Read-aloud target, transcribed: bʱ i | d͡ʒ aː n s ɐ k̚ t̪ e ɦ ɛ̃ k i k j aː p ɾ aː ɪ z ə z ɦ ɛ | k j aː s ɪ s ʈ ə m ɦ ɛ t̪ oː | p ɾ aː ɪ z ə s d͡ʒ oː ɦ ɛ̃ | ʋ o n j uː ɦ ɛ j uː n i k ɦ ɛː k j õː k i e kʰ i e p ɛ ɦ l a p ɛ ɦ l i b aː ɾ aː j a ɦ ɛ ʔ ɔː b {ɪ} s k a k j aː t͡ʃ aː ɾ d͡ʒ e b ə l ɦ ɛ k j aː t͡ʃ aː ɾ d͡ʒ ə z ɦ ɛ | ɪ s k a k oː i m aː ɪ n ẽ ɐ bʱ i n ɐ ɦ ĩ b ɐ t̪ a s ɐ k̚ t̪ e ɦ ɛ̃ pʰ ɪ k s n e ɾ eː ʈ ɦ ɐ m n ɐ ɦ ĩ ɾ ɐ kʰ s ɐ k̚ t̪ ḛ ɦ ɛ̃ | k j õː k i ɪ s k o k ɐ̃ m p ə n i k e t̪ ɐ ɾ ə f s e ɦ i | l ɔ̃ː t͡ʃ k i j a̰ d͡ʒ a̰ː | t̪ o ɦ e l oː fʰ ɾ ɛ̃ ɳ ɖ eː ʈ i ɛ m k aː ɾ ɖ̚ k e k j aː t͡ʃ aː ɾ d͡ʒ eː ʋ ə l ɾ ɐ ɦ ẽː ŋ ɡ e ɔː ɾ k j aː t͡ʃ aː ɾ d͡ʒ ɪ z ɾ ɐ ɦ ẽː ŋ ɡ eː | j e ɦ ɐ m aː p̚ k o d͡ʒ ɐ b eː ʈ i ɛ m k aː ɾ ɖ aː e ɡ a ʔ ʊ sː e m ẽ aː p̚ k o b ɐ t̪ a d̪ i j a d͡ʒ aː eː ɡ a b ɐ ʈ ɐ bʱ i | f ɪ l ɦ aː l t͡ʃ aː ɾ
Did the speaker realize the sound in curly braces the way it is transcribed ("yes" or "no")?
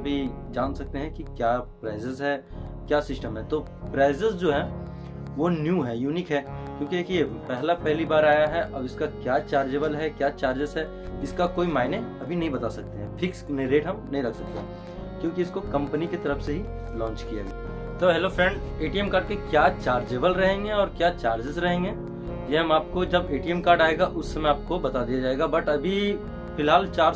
yes